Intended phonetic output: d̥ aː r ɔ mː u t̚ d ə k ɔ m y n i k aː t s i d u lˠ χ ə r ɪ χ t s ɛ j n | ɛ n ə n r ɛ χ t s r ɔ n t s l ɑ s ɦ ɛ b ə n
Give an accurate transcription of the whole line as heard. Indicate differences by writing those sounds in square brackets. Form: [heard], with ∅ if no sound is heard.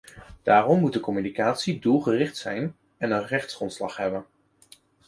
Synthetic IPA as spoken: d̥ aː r ɔ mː u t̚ d ə k ɔ m y n i k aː t s i d u lˠ χ ə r ɪ χ t s ɛ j n | ɛ n ə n r ɛ χ t s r ɔ n t s l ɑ [χ] ɦ ɛ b ə n